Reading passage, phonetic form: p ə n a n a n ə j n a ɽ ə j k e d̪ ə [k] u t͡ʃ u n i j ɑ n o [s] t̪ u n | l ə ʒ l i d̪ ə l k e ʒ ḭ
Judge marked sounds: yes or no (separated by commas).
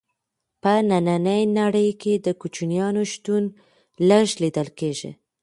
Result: yes, no